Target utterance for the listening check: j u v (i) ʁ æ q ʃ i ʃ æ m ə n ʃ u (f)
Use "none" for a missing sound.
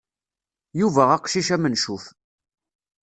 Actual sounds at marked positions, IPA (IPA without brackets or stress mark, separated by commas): æ, f